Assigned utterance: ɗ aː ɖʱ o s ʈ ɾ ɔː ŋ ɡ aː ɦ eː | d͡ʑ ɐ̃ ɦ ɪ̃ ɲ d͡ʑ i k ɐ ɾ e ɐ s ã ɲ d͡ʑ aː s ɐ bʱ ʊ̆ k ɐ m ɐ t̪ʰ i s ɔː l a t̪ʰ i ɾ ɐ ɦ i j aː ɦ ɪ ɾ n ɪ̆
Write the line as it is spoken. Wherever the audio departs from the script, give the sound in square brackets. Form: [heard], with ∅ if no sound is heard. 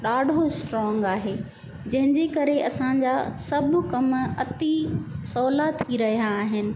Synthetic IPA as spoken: ɗ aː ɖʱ o s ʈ ɾ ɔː ŋ ɡ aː ɦ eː | d͡ʑ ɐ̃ ɦ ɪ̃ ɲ d͡ʑ [e] k ɐ ɾ e ɐ s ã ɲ d͡ʑ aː s ɐ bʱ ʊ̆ k ɐ m ɐ [t̪] i s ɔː l a t̪ʰ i ɾ ɐ ɦ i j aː ɦ ɪ [∅] n ɪ̆